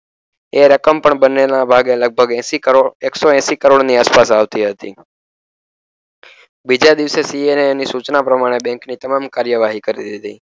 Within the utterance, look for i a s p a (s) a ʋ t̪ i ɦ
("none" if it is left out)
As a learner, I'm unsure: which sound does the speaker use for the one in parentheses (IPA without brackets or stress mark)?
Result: s